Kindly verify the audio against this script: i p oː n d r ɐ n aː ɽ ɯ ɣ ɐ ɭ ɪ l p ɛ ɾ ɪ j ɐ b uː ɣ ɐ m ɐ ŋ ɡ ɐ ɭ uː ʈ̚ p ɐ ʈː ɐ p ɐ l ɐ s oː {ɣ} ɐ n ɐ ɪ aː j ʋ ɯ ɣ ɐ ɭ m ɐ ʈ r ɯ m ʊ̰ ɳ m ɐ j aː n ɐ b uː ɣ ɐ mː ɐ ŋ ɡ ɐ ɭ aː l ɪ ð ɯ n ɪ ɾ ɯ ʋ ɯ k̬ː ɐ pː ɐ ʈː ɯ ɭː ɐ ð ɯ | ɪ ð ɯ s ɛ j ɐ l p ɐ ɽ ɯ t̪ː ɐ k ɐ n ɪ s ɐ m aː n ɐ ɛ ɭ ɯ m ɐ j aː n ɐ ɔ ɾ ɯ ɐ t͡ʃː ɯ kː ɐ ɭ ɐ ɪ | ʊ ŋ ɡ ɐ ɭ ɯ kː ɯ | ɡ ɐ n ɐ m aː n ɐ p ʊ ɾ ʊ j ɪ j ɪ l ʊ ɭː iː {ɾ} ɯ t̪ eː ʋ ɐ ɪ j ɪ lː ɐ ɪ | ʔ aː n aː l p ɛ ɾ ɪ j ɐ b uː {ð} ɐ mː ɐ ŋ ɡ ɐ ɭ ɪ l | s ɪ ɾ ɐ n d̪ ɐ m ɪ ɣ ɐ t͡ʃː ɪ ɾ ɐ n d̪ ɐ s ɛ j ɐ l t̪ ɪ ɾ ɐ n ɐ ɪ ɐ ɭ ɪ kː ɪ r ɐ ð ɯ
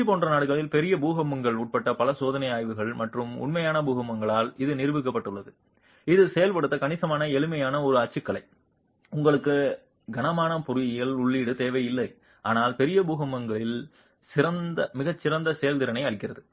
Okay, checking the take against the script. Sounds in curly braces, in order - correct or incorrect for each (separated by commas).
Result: incorrect, incorrect, incorrect